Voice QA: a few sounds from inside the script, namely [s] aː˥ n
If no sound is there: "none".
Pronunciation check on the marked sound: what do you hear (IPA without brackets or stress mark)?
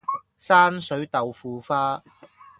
s